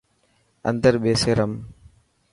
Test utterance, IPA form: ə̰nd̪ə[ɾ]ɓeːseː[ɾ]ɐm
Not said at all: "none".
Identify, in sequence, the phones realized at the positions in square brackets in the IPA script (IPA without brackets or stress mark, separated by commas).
ɾ, ɾ